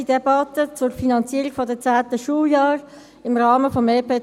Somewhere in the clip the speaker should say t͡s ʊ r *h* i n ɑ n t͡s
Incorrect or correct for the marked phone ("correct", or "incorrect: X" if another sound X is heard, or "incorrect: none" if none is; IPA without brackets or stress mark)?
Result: incorrect: f